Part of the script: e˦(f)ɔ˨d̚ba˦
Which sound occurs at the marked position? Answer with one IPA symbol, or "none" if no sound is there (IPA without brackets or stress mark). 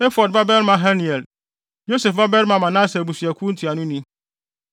f